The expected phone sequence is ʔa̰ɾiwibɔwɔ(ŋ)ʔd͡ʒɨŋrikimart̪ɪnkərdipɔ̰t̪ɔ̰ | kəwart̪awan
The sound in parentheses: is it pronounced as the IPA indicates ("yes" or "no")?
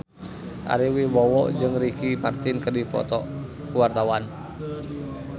no